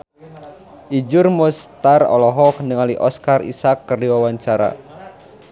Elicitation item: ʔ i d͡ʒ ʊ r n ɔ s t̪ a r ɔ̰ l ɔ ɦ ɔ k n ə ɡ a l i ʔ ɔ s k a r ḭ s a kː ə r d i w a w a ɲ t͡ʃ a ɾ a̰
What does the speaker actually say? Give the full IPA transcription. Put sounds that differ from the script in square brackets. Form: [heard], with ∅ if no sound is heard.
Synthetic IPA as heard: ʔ i d͡ʒ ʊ r [m] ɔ s t̪ a r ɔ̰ l ɔ ɦ ɔ k n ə [ŋ] a l i ʔ ɔ s k a r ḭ s a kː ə r d i w a w a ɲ t͡ʃ a ɾ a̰